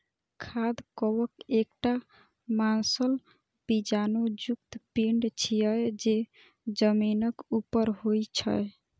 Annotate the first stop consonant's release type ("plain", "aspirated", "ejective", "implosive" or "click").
aspirated